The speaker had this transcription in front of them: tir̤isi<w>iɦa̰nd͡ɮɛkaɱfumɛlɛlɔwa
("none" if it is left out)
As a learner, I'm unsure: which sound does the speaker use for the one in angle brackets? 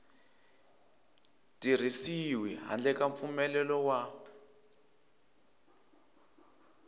w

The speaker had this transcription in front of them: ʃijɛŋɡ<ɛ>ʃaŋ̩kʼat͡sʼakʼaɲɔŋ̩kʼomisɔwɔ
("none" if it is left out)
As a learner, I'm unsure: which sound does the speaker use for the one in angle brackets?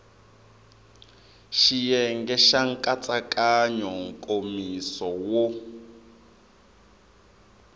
ɛ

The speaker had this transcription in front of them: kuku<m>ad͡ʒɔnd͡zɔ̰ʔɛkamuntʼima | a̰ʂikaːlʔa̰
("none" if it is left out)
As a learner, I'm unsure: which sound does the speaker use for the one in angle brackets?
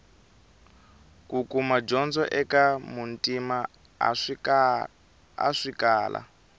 m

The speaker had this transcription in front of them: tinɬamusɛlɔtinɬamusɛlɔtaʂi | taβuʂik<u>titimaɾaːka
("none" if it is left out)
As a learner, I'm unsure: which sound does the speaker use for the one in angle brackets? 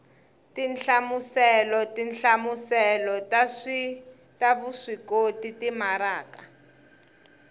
o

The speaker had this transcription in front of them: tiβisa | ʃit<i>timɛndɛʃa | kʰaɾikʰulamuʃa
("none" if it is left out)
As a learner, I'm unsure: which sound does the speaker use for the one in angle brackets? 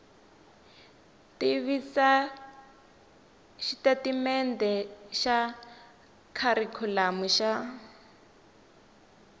a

